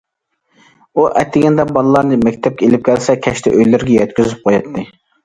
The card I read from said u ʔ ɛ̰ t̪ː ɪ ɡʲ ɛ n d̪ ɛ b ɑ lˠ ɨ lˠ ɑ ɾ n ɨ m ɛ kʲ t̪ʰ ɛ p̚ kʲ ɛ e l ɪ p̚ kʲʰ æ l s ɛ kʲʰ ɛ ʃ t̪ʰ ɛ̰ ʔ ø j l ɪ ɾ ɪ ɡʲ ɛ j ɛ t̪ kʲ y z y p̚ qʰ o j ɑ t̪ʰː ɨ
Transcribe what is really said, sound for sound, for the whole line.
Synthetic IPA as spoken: u ʔ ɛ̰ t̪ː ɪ ɡʲ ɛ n d̪ ɛ b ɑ lˠ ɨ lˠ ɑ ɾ n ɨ m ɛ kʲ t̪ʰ ɛ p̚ kʲ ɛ e l ɪ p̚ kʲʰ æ l s ɛ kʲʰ ɛ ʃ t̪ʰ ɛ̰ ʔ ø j l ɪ ɾ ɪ ɡʲ ɛ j ɛ t̪ kʲ y z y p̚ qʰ o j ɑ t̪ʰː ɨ